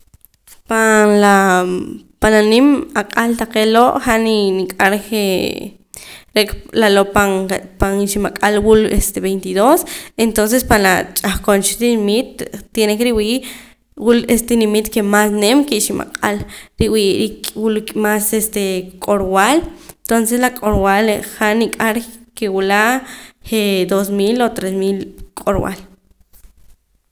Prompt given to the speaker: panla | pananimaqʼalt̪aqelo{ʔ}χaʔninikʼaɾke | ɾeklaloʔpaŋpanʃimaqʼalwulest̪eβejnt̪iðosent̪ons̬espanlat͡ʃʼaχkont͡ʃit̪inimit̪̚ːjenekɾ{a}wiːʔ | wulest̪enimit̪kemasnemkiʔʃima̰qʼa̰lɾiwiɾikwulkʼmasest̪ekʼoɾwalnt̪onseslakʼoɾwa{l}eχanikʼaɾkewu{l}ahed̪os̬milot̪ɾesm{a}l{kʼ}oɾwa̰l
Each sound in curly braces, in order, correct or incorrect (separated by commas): correct, incorrect, correct, correct, incorrect, correct